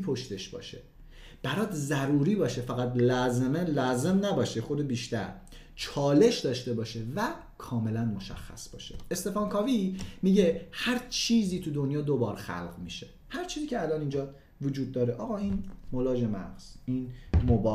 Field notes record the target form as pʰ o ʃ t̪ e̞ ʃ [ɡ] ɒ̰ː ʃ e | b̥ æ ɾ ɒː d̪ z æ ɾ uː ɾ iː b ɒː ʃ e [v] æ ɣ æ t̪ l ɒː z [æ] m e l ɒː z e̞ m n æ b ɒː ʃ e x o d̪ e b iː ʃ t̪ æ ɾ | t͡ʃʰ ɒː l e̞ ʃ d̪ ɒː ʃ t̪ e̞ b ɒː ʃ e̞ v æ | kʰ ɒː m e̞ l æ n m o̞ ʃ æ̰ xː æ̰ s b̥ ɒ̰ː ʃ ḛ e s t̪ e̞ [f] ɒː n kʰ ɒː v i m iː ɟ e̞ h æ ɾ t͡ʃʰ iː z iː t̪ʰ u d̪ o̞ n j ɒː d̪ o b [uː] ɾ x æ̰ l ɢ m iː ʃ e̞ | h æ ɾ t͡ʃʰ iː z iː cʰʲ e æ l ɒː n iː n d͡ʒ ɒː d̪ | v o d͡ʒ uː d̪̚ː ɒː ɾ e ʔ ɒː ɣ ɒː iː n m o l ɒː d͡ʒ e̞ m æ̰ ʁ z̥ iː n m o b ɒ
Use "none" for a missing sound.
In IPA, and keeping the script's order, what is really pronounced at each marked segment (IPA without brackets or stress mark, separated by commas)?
b, f, e, f, ɒː